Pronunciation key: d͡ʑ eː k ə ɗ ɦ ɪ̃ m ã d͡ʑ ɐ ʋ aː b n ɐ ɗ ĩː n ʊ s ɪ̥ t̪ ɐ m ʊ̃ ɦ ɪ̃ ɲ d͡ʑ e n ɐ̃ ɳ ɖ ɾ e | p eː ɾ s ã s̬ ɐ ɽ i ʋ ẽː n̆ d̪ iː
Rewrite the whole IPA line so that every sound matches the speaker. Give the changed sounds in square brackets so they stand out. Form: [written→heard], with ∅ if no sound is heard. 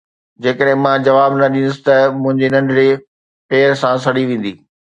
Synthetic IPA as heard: d͡ʑ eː k ə ɗ ɦ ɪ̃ m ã d͡ʑ ɐ ʋ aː b n ɐ ɗ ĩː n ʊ s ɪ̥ t̪ ɐ m ʊ̃ ɦ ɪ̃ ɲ d͡ʑ e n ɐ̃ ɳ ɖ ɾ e | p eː ɾ s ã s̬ ɐ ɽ i ʋ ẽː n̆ d̪ iː